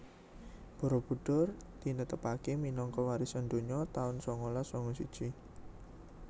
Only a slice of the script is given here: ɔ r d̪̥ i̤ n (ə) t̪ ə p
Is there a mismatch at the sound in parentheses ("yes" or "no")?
no